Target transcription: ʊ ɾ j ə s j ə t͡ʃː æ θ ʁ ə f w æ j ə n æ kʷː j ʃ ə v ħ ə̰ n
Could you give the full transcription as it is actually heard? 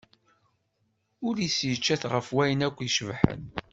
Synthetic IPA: ʊ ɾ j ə s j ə t͡ʃː æ θ ʁ ə f w æ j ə n æ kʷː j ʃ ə v ħ ə̰ n